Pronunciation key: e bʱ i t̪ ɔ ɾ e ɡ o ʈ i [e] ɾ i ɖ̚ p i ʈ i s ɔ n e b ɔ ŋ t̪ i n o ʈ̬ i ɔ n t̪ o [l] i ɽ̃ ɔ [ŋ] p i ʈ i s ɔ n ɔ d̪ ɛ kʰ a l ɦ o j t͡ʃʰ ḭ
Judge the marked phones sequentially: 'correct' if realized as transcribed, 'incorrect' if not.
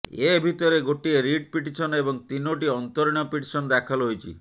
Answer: correct, incorrect, incorrect

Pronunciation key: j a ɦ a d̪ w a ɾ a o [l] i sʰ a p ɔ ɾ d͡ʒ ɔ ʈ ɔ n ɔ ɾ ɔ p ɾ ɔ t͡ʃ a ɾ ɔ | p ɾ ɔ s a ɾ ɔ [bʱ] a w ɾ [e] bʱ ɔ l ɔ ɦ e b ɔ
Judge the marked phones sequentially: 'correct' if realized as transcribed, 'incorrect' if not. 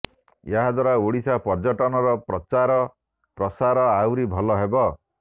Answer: incorrect, incorrect, incorrect

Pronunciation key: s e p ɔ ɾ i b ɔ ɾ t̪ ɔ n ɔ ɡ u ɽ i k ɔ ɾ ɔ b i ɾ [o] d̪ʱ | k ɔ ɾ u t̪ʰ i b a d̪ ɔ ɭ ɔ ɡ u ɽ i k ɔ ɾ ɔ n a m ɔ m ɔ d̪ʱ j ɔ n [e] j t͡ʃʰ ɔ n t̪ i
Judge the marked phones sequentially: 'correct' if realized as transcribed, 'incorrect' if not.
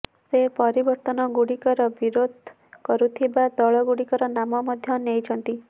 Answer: correct, correct

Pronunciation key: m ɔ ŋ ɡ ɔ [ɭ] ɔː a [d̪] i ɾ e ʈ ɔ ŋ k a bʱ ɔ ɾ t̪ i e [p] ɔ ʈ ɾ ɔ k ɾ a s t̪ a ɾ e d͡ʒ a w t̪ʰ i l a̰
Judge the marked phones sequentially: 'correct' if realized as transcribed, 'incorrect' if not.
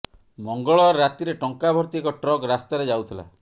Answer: correct, incorrect, incorrect

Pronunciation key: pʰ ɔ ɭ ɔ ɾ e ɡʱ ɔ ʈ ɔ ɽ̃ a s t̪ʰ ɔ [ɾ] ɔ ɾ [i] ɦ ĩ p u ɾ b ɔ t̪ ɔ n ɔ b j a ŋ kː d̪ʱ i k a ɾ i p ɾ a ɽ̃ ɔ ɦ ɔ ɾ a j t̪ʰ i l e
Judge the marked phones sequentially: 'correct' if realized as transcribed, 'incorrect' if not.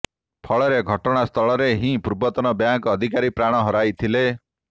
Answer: incorrect, incorrect

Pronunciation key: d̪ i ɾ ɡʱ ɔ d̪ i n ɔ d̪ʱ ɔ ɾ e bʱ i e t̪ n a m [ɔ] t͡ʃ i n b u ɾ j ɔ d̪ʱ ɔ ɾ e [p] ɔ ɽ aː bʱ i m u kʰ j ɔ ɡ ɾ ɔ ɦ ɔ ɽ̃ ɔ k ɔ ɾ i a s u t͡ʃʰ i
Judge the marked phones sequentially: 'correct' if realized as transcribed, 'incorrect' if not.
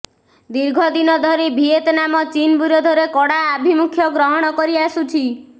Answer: correct, incorrect

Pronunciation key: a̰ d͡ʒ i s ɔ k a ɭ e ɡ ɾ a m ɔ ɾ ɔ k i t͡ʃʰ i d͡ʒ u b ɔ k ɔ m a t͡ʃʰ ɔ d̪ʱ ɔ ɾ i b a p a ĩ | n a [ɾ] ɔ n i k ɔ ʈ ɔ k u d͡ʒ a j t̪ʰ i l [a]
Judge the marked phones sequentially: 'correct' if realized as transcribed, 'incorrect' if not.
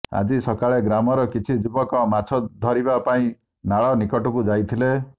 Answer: incorrect, incorrect

